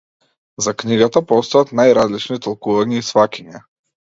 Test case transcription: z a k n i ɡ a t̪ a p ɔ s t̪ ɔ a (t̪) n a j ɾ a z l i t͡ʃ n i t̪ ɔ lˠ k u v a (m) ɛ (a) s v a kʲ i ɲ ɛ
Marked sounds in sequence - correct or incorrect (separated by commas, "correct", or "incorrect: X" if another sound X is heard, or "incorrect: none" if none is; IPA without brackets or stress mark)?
correct, incorrect: ɲ, incorrect: i